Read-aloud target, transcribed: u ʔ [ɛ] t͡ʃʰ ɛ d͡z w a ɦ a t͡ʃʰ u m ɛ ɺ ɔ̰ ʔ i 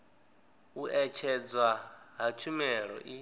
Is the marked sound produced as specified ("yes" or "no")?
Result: yes